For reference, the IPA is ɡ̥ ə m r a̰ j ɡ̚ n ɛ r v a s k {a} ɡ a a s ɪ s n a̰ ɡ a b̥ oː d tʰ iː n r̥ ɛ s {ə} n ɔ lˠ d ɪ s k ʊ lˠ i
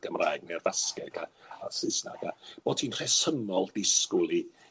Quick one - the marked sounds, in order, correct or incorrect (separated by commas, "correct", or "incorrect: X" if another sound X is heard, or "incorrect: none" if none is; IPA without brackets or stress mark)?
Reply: incorrect: ɛ, correct